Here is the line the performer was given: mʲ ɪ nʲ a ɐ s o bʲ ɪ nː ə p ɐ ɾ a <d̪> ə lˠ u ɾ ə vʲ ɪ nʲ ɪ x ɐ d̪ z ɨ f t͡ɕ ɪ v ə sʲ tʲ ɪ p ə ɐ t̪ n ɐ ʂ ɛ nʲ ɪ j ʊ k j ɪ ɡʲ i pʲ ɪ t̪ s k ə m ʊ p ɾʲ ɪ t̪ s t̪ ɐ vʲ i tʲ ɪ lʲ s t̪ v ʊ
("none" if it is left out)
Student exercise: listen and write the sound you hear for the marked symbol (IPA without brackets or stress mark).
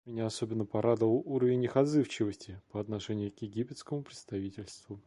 d̪